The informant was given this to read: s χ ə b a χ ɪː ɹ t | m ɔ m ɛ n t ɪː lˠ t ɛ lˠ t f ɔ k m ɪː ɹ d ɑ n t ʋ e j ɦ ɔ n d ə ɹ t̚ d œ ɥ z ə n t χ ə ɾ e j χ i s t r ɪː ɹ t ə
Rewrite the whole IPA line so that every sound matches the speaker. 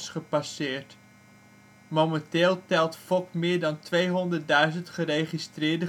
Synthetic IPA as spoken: s χ ə p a s ɪː ɹ t | m o m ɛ n t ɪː lˠ t ɛ lˠ t f ɔ k m ɪː ɹ d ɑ n t ʋ e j ɦ ɔ n d ə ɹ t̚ d œ ɥ z ə n t χ ə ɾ e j χ i s t r ɪː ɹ d ə